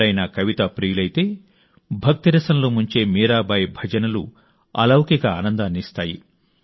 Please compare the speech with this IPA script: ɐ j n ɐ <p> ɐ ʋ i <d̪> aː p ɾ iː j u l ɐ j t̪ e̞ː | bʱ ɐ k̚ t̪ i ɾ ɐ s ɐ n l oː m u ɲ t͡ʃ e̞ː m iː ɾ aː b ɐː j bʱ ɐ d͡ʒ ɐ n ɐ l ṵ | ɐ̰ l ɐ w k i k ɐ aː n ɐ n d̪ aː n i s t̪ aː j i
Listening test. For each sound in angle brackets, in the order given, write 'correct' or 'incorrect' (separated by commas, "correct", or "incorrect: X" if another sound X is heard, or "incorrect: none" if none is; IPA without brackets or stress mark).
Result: incorrect: k, incorrect: t̪